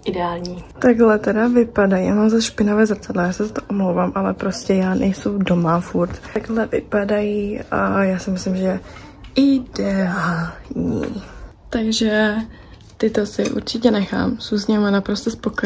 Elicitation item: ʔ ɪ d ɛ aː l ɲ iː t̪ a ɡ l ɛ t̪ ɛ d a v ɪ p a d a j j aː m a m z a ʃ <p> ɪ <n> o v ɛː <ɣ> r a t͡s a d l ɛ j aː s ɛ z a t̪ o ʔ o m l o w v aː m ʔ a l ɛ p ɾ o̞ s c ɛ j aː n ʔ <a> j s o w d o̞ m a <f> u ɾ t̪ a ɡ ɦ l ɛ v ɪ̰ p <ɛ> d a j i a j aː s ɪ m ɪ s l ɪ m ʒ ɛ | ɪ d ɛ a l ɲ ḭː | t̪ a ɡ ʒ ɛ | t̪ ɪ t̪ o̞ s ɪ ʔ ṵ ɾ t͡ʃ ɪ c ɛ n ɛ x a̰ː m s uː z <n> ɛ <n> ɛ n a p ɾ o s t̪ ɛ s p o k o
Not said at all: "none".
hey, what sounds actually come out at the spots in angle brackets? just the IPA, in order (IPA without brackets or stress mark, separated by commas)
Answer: p, n, z, ɛ, f, a, ɲ, m